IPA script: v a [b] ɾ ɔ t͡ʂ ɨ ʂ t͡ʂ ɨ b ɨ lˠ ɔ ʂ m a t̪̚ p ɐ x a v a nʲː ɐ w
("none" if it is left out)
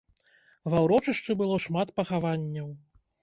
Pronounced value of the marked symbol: w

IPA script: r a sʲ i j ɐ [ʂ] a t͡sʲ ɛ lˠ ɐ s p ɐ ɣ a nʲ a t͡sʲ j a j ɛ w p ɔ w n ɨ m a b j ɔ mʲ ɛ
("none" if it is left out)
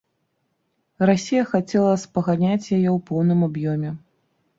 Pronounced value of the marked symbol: x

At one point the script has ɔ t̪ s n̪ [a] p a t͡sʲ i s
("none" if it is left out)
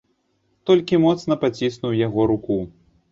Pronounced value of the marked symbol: ɐ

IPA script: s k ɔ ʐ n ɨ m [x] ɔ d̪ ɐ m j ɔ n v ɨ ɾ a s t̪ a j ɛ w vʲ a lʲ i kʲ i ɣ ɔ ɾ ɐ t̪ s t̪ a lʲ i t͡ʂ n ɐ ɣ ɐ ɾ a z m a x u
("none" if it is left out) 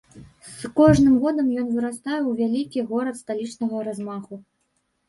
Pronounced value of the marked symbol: ɣ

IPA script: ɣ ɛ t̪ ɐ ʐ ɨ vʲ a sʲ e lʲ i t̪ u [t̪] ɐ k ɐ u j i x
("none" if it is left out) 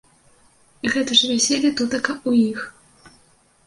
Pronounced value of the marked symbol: t̪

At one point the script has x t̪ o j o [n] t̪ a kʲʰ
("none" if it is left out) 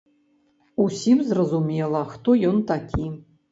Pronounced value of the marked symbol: n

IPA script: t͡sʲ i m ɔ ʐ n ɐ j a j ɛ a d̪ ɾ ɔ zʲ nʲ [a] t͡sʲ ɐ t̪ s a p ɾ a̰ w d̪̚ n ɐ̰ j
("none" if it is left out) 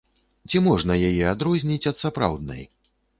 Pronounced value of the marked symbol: i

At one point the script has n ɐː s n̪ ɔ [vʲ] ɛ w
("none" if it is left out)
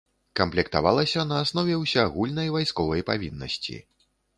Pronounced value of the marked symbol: vʲ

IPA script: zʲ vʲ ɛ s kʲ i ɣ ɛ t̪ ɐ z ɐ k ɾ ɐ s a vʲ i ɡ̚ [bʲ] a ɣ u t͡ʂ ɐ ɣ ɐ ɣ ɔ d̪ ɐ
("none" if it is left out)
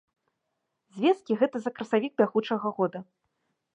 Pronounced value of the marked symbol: bʲ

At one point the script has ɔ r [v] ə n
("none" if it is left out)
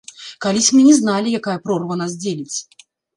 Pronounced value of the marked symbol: v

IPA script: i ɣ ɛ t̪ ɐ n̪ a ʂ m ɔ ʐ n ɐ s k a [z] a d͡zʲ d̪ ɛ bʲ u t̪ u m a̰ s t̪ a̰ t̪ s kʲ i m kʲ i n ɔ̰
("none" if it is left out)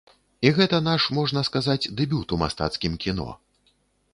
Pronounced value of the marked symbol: z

